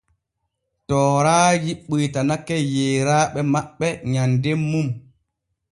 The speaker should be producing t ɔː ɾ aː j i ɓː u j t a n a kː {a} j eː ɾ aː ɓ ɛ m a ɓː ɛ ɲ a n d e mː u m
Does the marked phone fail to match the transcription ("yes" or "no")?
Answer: yes